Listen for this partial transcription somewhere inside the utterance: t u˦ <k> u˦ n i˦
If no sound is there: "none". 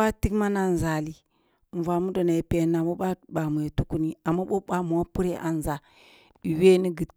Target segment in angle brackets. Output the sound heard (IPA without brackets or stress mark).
k